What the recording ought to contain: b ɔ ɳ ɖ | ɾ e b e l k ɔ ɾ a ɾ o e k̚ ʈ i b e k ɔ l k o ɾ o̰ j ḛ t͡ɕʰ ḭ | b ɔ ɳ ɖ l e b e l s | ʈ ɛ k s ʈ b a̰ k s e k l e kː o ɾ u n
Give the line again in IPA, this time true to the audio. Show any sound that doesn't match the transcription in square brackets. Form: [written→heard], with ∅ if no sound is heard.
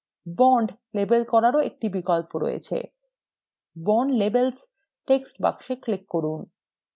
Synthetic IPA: b ɔ ɳ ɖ | [ɾ→l] e b e l k ɔ ɾ a ɾ o e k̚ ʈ i b [e→i] k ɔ l [k→p] o ɾ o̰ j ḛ t͡ɕʰ [ḭ→ḛ] | b ɔ ɳ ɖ l e b e l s | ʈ [ɛ→e] k s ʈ b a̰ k [s→ʃ] e k l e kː o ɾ u n